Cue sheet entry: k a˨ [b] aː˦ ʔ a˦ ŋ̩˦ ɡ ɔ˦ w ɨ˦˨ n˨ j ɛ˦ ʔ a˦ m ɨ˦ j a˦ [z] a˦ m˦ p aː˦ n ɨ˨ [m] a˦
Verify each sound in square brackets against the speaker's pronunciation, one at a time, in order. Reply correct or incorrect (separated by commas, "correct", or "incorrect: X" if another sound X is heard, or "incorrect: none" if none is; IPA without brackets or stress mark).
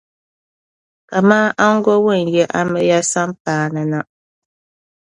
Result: incorrect: m, incorrect: s, incorrect: n